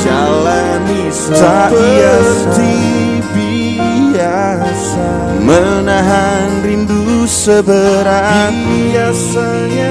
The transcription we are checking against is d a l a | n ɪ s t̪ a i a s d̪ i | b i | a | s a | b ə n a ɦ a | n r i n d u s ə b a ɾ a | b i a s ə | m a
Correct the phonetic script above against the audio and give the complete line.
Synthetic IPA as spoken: d͡ʒ a l a | n i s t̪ a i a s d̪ i | b i | a | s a | m ə n a ɦ a | n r i n d u s ə b ə ɾ a | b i a s a | ɲ a